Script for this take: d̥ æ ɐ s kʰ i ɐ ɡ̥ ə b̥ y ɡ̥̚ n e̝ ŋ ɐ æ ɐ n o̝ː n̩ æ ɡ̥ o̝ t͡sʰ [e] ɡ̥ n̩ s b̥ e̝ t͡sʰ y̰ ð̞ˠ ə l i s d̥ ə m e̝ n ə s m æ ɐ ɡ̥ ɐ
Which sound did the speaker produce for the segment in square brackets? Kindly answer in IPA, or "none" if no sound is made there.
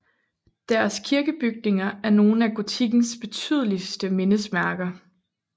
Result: i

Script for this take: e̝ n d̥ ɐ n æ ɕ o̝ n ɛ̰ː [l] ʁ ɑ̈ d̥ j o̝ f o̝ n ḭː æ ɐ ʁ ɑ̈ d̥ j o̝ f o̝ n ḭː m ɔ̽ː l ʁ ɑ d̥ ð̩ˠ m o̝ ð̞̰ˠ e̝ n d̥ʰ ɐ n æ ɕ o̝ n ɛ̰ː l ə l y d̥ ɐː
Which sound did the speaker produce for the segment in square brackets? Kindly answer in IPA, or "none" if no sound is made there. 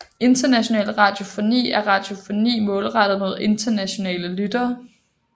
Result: l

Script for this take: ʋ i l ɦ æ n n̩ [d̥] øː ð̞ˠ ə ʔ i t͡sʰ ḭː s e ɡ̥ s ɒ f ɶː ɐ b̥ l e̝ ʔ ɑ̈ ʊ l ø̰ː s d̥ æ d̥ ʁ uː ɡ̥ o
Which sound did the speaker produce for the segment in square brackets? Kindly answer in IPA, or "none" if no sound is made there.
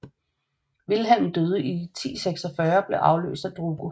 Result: d̥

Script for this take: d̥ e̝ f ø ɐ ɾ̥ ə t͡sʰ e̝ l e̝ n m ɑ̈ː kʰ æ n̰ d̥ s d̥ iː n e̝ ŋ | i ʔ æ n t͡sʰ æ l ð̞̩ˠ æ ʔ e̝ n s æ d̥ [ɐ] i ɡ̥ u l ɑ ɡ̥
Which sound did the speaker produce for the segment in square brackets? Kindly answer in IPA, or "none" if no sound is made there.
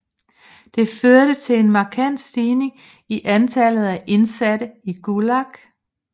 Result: ə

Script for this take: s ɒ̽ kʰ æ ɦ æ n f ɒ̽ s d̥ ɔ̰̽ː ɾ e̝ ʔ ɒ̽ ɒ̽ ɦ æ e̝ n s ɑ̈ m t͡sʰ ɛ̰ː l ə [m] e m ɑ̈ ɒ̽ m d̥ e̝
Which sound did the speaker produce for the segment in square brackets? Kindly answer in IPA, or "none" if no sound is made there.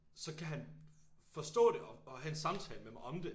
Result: m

